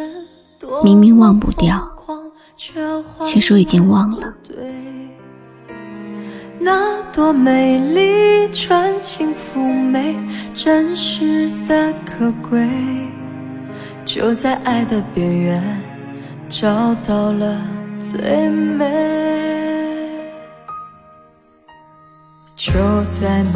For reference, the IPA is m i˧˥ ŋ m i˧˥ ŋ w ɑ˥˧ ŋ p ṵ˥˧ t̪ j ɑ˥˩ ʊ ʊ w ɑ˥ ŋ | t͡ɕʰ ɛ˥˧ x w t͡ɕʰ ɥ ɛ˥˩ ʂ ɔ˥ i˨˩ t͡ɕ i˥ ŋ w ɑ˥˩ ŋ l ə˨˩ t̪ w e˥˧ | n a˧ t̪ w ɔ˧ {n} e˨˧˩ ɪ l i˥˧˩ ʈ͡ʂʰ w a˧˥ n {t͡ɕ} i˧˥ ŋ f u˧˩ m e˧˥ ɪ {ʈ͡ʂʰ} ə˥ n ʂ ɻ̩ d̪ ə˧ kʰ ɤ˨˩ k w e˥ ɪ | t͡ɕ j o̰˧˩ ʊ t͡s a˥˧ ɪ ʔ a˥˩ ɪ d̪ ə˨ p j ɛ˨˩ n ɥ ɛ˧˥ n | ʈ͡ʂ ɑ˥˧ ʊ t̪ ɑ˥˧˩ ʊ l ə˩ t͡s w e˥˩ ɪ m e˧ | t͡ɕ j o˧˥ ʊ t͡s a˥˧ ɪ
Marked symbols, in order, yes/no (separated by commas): no, no, no